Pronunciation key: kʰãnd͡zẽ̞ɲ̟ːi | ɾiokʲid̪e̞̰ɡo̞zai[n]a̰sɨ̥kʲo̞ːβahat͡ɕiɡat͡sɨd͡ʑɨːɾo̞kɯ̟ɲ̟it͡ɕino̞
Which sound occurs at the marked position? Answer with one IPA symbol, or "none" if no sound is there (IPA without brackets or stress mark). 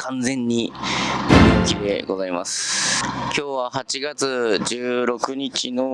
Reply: m